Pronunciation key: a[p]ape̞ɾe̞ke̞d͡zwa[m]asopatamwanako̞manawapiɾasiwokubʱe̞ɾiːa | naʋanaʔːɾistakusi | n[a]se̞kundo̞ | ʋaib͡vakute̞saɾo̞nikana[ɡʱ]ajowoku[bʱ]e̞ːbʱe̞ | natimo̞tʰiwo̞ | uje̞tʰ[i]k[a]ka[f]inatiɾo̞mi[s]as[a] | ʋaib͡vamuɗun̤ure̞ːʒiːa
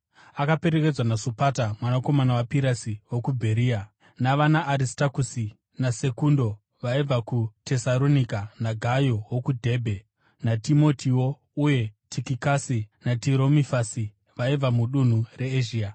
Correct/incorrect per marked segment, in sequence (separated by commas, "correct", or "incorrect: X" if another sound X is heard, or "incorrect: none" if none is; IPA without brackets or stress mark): incorrect: k, incorrect: n, correct, correct, incorrect: dʱ, correct, incorrect: i, incorrect: s, incorrect: f, incorrect: i